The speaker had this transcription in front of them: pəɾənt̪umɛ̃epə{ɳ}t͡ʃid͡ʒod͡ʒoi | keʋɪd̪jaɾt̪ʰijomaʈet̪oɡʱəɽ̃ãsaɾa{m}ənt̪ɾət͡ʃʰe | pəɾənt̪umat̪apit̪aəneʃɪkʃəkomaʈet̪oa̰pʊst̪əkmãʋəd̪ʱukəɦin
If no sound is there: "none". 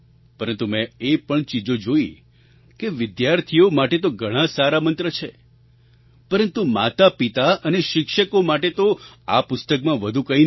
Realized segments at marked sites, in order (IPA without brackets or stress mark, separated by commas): ɳ, m